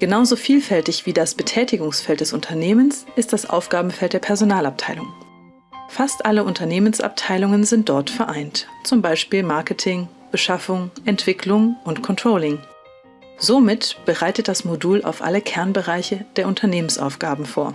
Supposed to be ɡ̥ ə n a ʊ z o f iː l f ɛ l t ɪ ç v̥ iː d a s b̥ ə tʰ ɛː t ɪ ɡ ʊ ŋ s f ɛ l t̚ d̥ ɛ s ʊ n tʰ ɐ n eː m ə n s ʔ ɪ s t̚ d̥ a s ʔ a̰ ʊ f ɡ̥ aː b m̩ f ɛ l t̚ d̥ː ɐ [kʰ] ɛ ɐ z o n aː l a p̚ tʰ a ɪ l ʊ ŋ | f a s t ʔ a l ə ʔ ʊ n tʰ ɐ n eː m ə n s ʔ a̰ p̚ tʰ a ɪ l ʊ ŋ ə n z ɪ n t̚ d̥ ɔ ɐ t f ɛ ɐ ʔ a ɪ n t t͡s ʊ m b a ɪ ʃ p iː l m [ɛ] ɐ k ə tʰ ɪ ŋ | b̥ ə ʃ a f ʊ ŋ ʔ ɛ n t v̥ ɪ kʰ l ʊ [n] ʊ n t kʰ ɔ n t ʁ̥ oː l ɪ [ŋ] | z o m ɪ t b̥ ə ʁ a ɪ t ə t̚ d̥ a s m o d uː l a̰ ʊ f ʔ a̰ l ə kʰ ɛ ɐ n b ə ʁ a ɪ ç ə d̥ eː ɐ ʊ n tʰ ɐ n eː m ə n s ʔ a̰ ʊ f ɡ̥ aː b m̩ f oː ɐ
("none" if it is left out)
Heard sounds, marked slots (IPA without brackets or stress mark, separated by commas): pʰ, a, ŋ, ŋ